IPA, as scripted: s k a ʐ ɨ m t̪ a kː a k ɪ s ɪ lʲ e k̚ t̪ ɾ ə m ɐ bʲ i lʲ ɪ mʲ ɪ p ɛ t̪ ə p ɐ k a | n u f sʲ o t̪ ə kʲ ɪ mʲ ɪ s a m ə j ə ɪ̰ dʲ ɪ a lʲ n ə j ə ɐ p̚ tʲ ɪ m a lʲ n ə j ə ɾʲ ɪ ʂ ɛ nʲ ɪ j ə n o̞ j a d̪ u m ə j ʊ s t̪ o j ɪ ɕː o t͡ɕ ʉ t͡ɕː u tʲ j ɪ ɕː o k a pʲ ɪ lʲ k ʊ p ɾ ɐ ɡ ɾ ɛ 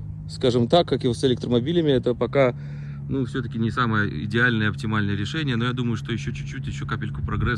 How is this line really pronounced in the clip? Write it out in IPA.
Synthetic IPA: s k a ʐ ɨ m t̪ a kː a k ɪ s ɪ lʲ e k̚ t̪ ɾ ə m ɐ bʲ i lʲ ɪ mʲ ɪ ɛ t̪ ə p ɐ k a | n u f sʲ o t̪ ə kʲ ɪ nʲ ɪ s a m ə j ə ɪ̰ dʲ ɪ a lʲ n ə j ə ɐ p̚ tʲ ɪ m a lʲ n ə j ə ɾʲ ɪ ʂ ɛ nʲ ɪ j ə n o̞ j a d̪ u m ə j ʊ ʂ t̪ o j ɪ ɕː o t͡ɕ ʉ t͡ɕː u tʲ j ɪ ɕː o k a pʲ ɪ lʲ k ʊ p ɾ ɐ ɡ ɾ ɛ